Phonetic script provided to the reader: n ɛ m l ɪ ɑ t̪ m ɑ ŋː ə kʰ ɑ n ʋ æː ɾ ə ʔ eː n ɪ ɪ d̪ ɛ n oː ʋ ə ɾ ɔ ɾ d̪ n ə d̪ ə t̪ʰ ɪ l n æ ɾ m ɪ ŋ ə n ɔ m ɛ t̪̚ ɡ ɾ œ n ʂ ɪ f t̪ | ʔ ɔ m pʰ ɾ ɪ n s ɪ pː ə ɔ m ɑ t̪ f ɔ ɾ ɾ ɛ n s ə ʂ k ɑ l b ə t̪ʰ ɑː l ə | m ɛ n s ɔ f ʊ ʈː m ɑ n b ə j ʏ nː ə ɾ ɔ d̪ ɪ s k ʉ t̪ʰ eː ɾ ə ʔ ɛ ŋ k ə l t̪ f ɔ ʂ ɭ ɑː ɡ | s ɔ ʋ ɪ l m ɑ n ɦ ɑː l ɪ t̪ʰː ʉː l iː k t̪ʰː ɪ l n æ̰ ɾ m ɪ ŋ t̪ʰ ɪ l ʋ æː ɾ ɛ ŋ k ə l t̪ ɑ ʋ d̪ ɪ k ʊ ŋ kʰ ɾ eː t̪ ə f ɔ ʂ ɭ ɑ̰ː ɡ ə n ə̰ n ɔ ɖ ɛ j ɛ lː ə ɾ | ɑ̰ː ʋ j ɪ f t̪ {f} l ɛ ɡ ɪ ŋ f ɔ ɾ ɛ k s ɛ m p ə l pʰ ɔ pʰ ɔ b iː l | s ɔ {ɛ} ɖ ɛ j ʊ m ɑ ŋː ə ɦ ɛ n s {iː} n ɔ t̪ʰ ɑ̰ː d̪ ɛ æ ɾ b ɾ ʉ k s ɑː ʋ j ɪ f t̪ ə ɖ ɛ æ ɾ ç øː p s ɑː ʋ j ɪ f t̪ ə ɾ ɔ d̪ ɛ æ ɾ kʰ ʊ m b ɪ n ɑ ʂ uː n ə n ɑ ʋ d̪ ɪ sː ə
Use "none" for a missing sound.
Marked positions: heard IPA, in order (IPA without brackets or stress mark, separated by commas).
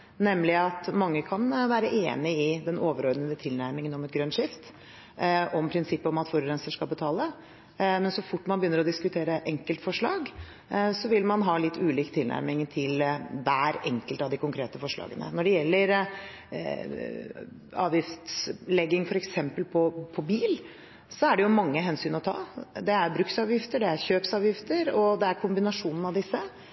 s, æ, yː